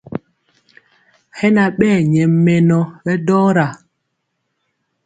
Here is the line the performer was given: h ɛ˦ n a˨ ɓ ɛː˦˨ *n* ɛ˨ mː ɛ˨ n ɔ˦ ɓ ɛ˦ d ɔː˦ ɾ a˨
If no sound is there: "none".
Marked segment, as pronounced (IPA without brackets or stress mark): ɲ